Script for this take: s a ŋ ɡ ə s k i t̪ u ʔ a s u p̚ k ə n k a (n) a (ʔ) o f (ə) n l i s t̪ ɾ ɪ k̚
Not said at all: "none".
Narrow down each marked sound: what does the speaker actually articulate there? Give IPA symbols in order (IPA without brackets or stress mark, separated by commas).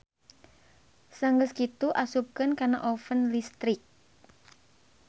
n, ʔ, ə